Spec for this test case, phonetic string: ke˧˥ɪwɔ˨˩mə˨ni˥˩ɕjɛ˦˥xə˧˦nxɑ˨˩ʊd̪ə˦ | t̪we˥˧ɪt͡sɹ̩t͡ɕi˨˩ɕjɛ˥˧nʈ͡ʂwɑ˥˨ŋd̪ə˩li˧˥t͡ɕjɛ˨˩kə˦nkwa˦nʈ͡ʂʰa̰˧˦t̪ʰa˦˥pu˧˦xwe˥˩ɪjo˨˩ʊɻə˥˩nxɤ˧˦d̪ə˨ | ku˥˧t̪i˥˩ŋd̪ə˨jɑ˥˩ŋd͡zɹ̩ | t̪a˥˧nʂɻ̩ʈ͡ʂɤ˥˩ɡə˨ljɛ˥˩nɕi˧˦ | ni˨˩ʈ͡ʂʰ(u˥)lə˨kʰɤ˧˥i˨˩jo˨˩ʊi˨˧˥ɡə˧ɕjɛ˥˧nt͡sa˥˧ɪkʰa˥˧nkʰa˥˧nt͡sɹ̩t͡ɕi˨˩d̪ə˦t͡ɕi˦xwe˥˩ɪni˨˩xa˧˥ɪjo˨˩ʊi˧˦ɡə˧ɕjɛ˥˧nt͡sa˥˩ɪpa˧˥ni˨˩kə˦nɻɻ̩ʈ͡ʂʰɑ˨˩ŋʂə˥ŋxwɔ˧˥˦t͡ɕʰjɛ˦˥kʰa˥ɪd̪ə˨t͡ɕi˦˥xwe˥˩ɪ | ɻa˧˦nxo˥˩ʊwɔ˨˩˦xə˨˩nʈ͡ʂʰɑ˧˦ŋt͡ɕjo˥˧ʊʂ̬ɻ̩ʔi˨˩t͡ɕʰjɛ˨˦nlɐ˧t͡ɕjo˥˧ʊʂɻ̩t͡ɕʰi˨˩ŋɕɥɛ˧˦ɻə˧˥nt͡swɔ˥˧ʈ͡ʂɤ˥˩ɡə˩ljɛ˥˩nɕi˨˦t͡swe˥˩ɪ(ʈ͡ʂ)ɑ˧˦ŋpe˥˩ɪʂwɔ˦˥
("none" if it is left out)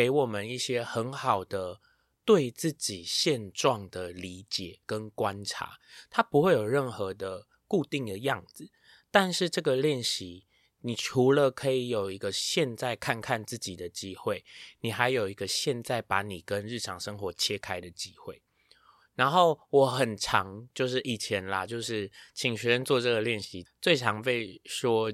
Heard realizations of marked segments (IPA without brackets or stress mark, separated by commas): u˧˥, ʈ͡ʂʰ